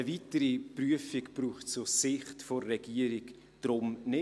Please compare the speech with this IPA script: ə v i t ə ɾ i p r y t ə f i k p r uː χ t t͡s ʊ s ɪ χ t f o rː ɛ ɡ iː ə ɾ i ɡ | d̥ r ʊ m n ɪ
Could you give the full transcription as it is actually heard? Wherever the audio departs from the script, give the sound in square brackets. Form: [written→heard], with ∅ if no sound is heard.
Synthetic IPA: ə v i t ə ɾ i p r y [t→∅] ə f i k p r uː χ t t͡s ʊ s ɪ χ t f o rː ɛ ɡ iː ə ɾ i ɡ | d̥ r ʊ m n ɪ